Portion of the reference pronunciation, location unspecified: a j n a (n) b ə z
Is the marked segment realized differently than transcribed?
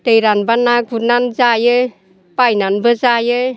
no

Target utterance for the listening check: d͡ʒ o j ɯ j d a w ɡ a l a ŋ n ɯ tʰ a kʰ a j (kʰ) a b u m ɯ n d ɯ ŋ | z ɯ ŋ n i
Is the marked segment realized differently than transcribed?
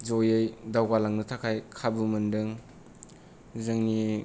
no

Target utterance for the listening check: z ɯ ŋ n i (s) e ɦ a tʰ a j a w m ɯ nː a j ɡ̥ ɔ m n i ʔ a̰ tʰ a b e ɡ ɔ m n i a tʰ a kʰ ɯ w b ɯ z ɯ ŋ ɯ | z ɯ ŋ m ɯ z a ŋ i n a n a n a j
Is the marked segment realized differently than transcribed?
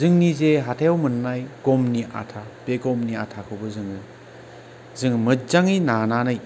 yes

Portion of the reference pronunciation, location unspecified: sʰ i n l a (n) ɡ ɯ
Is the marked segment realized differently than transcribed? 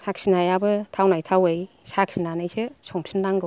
yes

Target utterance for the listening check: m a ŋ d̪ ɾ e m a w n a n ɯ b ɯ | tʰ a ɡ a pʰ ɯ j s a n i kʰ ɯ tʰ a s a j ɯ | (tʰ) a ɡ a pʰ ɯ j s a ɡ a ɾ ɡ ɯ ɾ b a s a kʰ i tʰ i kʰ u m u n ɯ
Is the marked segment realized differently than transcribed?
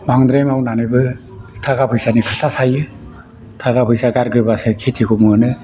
no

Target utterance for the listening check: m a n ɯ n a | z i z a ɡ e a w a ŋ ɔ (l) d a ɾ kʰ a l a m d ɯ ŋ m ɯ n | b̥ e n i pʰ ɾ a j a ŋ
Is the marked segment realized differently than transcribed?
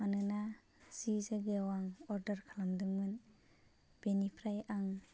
yes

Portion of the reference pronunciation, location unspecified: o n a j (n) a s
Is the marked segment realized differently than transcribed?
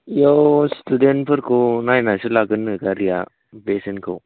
no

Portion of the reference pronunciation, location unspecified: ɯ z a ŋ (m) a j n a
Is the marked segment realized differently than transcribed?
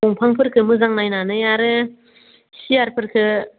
yes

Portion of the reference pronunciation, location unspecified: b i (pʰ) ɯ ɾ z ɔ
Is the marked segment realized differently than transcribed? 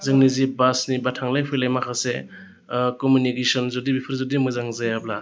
no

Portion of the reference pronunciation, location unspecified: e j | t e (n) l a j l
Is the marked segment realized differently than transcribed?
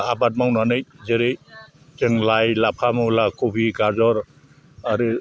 yes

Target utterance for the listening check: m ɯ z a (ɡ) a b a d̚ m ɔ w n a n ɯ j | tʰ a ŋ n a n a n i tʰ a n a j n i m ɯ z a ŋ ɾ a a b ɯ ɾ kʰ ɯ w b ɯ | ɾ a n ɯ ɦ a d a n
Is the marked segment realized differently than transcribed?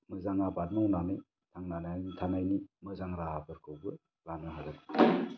yes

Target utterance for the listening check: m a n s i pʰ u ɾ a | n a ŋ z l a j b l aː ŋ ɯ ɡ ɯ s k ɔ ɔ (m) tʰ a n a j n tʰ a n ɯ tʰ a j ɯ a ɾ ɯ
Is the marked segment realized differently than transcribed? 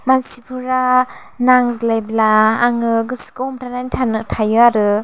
no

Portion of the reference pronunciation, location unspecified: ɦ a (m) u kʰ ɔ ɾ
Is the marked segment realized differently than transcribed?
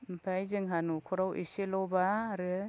yes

